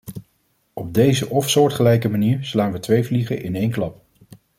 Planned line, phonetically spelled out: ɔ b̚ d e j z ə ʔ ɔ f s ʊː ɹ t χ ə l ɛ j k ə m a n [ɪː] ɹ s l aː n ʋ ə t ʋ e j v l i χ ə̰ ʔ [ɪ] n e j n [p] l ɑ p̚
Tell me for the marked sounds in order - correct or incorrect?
incorrect: iː, correct, incorrect: k

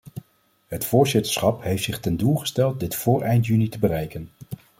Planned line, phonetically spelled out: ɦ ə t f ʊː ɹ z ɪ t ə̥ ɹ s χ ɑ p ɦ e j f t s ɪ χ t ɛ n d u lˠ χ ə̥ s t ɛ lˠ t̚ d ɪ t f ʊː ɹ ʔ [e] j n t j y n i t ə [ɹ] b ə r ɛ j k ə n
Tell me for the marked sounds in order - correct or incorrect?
incorrect: ɛ, incorrect: none

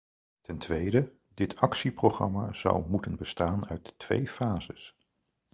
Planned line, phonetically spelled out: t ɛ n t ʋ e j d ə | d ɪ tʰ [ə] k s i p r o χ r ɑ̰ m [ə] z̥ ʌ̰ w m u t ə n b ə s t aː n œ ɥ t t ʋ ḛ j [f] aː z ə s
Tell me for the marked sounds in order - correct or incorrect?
incorrect: ɑ, incorrect: a, correct

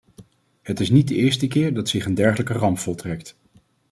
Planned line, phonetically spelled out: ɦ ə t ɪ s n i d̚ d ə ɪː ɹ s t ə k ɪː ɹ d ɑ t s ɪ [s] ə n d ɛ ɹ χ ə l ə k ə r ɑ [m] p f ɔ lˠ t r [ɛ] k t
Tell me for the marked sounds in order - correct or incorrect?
incorrect: χ, correct, correct

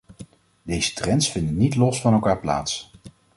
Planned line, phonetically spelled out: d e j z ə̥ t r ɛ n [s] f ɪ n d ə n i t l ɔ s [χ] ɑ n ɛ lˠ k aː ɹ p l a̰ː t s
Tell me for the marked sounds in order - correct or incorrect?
correct, incorrect: f

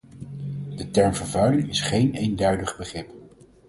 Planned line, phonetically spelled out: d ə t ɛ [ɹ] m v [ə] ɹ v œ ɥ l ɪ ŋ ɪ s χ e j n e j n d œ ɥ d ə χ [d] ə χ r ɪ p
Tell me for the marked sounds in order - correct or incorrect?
correct, correct, incorrect: b

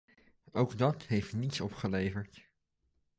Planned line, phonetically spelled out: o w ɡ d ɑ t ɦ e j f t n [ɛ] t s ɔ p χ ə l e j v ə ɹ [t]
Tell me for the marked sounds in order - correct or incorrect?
incorrect: i, correct

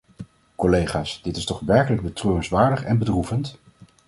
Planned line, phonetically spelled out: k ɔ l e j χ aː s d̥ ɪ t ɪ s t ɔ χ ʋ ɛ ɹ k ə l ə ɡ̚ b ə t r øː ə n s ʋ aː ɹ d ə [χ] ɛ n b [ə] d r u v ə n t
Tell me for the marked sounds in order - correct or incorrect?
correct, correct

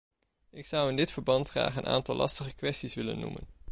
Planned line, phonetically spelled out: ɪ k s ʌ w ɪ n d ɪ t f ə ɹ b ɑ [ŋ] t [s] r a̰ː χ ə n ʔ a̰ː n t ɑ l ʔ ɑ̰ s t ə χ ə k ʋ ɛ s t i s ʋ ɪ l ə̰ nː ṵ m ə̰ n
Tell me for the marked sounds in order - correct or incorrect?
incorrect: n, incorrect: χ

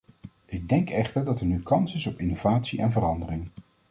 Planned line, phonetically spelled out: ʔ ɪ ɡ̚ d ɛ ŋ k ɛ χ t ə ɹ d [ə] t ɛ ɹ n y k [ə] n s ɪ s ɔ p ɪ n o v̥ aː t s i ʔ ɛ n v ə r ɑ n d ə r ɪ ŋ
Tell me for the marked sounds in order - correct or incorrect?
incorrect: ɑ, incorrect: ɑ

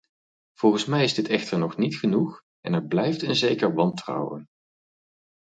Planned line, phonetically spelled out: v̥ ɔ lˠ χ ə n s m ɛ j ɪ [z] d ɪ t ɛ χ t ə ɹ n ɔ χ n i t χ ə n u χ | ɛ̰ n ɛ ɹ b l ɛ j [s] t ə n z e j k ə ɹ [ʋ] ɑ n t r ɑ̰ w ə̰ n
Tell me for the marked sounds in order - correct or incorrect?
correct, incorrect: f, correct

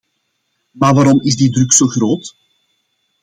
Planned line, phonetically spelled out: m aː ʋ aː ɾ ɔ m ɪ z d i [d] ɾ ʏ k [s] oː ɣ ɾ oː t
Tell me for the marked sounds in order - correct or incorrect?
correct, correct

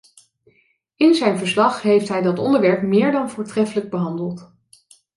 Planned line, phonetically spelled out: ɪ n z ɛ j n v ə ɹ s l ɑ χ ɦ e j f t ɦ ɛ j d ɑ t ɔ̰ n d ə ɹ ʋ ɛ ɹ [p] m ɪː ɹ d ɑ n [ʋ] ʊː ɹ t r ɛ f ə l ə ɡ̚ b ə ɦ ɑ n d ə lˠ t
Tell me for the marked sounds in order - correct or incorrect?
correct, incorrect: v

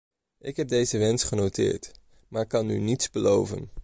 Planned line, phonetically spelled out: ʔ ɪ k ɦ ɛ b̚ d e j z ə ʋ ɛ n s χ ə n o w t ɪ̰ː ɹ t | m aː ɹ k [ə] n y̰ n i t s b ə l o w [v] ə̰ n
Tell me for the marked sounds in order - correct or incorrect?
incorrect: ɑ, correct

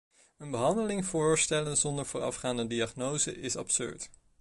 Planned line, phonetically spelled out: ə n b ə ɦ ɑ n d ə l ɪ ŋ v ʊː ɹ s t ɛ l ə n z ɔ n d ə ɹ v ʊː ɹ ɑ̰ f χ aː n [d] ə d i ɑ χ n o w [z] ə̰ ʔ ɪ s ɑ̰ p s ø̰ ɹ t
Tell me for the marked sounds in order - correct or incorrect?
correct, correct

